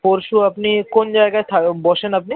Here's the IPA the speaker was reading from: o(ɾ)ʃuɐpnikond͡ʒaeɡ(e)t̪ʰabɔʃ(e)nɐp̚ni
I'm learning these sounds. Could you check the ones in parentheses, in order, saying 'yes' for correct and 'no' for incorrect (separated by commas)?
yes, no, yes